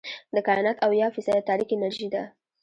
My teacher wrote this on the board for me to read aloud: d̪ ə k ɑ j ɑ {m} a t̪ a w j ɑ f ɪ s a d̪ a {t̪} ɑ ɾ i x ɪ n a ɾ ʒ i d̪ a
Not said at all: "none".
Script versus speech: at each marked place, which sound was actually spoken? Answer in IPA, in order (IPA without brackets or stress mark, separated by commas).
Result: n, t̪